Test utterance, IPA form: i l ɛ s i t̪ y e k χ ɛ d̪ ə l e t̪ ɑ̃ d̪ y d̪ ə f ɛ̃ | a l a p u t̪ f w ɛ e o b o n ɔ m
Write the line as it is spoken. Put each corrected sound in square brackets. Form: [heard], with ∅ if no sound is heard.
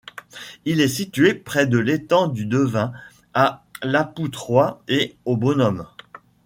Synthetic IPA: i l ɛ s i t̪ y e [p] χ ɛ d̪ ə l e t̪ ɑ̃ d̪ y d̪ ə [v] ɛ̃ | a l a p u t̪ [χ] w [a] e o b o n ɔ m